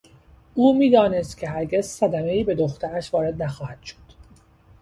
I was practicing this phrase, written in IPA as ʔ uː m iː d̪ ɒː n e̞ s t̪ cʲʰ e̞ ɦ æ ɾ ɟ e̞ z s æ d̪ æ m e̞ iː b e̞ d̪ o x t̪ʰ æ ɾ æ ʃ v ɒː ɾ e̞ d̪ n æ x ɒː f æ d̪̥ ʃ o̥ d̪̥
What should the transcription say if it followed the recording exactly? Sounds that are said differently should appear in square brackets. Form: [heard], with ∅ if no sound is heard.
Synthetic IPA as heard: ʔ uː m iː d̪ ɒː n e̞ s t̪ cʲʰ e̞ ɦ æ ɾ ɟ e̞ z s æ d̪ æ m e̞ iː b e̞ d̪ o x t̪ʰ æ ɾ æ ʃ v ɒː ɾ e̞ d̪ n æ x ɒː [h] æ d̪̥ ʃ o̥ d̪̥